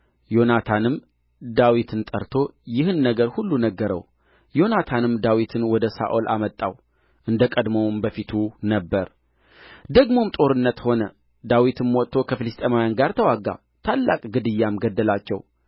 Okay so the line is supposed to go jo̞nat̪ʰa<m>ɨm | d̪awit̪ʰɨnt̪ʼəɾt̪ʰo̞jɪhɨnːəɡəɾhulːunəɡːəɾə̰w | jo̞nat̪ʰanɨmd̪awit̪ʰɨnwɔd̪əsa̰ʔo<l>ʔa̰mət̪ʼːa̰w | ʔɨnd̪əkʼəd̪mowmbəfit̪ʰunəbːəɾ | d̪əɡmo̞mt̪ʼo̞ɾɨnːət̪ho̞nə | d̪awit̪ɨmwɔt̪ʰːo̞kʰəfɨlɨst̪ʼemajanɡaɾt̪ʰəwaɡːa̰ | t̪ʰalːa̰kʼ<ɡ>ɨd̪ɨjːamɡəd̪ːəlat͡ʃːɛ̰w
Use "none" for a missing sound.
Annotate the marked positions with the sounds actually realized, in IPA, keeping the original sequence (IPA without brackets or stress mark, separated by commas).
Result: n, l, ɡ